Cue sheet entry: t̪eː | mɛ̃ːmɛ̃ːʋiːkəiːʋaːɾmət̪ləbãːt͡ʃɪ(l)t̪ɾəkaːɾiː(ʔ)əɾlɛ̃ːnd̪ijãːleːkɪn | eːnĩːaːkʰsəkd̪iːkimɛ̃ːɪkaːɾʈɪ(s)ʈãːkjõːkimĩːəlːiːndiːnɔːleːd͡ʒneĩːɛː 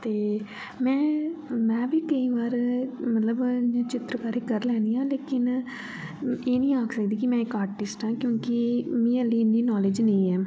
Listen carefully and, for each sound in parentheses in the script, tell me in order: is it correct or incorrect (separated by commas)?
incorrect, incorrect, correct